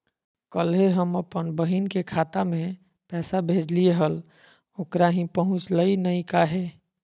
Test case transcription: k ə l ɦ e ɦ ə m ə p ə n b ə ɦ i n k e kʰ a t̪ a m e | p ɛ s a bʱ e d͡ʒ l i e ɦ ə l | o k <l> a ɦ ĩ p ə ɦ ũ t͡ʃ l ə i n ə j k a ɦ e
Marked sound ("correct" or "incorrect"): incorrect